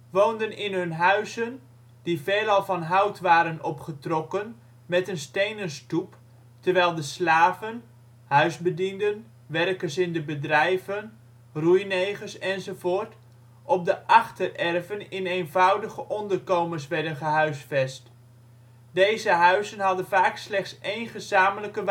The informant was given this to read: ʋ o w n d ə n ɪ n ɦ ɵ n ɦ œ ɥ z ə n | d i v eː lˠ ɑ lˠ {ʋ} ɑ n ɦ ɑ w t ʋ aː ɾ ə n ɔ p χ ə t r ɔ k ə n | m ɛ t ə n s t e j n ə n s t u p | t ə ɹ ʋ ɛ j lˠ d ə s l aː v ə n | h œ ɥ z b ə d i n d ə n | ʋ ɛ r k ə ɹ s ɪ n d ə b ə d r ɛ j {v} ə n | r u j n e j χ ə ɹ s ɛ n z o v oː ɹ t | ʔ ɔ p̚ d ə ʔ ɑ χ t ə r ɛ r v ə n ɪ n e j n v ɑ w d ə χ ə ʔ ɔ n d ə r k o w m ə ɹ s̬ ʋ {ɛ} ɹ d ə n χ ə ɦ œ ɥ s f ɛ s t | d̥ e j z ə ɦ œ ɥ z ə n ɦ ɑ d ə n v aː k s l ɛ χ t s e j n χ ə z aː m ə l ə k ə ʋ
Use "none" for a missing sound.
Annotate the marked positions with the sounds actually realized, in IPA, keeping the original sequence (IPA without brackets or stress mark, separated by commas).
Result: v, v, ɛ